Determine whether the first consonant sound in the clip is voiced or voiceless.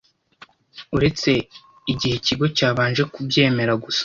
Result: voiced